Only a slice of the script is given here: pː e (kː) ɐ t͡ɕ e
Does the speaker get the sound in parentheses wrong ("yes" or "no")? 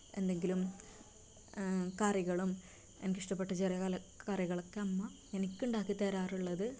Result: yes